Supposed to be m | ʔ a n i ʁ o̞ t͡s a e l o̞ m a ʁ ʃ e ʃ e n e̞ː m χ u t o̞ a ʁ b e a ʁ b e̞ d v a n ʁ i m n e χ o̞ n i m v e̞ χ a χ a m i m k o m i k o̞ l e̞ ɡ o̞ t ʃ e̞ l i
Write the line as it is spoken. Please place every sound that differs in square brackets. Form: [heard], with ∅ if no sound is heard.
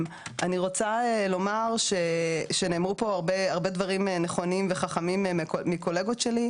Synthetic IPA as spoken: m | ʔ a n i ʁ o̞ t͡s a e l o̞ m a ʁ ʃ e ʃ e n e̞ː m [ʁ] u [p] o̞ a ʁ b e a ʁ b e̞ d v a [∅] ʁ i m n e χ o̞ n i m v e̞ χ a χ a m i m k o m i k o̞ l e̞ ɡ o̞ t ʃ e̞ l i